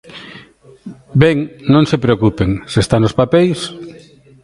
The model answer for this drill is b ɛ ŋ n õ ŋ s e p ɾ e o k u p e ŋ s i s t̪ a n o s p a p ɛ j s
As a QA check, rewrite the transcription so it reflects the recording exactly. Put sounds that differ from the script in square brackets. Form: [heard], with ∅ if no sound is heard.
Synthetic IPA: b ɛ ŋ n õ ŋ s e p ɾ e o k u p e ŋ s [e] s t̪ a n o s p a p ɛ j s